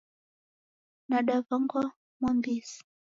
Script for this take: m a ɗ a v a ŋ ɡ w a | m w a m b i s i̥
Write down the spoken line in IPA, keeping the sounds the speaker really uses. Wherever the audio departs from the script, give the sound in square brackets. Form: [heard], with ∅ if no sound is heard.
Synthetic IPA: [n] a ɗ a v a ŋ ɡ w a | m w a m b i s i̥